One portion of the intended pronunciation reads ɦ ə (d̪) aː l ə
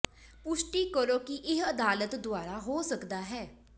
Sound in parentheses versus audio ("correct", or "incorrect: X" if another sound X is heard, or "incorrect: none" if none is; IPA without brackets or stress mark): correct